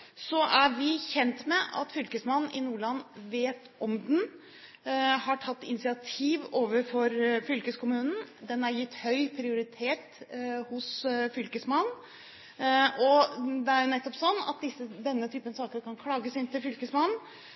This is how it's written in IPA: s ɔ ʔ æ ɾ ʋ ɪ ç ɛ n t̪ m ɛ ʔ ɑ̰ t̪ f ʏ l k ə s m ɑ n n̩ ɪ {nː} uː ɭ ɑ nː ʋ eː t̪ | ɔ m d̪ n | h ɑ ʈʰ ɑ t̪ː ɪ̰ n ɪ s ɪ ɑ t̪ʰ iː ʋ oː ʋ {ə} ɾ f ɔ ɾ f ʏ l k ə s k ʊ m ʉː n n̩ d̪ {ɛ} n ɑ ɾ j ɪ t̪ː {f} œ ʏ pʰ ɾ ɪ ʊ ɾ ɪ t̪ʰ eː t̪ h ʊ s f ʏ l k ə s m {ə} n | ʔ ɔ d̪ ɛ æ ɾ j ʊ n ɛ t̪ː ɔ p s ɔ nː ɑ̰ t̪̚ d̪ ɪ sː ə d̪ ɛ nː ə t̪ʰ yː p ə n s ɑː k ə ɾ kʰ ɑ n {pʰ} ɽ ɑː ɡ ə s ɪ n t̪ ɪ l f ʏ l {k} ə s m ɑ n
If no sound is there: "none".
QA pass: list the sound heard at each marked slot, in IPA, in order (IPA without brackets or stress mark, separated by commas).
n, ə, ɛ, h, ɑ, kʰ, k